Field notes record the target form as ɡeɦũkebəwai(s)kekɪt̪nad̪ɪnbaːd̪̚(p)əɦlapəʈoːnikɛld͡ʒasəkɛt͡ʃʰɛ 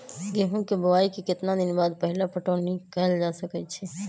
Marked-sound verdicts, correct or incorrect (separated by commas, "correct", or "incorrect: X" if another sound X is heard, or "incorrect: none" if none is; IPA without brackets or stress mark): incorrect: none, correct